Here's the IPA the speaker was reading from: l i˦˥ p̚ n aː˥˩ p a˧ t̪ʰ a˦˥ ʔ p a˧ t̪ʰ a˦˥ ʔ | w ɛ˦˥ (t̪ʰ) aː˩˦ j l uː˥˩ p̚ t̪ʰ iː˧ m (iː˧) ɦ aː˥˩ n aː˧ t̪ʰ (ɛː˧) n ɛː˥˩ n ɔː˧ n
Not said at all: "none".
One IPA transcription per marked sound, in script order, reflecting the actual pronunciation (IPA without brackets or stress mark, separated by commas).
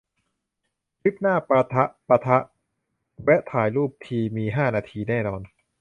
t̪ʰ, iː˧, iː˧